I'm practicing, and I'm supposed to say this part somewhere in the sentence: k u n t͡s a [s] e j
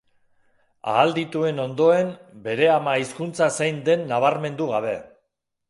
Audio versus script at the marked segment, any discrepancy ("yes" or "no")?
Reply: no